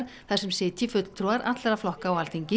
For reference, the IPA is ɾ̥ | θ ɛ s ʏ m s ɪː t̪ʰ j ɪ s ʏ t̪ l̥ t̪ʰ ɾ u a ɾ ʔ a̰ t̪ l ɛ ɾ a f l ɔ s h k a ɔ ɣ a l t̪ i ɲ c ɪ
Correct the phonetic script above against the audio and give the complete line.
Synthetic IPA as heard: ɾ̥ | θ ɛ s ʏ m s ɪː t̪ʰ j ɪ f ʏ t̪ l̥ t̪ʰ ɾ u a ɾ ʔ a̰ t̪ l ɛ ɾ a f l ɔ h k a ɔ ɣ a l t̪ i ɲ c ɪ